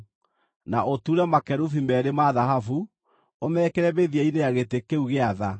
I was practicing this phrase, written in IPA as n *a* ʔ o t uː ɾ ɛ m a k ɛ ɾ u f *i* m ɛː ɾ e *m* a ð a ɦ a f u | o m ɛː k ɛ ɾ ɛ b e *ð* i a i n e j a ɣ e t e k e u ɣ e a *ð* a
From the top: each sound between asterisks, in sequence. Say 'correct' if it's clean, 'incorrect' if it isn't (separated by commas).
correct, correct, correct, correct, correct